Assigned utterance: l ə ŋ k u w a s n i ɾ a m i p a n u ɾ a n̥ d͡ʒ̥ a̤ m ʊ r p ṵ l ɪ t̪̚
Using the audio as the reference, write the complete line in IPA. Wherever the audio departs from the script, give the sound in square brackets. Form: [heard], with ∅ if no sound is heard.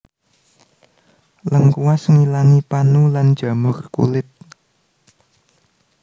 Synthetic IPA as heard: l ə ŋ k u w a s [ŋ] i [l] a [ŋ] i p a n u [l] a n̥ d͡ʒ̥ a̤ m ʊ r [k] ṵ l ɪ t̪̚